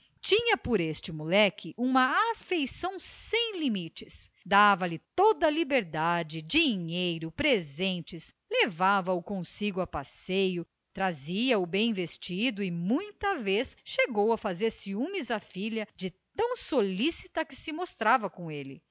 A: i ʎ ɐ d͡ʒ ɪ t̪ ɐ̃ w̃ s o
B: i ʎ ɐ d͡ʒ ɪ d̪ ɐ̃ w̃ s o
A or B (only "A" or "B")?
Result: A